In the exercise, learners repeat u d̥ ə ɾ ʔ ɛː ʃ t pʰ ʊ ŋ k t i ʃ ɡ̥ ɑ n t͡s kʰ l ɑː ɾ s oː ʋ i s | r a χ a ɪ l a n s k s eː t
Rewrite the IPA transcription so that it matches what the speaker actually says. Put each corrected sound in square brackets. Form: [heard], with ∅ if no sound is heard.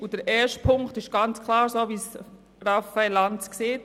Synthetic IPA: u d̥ ə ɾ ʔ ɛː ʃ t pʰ ʊ ŋ k t [ɪ] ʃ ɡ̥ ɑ n t͡s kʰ l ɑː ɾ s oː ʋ i s | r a [f] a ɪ l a n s k s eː t